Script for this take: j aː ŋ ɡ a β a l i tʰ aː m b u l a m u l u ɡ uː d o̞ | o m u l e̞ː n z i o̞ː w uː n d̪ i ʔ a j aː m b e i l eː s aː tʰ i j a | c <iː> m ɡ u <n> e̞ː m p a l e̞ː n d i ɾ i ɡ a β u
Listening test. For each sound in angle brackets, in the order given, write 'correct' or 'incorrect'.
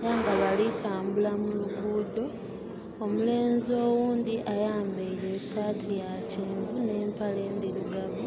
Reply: correct, correct

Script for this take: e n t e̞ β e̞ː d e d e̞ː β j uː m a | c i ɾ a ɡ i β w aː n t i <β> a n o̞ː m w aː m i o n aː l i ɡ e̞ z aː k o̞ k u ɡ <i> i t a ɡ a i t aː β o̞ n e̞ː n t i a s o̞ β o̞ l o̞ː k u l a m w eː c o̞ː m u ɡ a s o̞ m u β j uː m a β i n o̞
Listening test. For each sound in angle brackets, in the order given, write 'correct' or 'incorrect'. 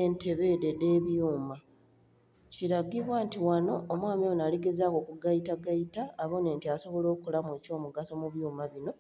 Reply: incorrect, incorrect

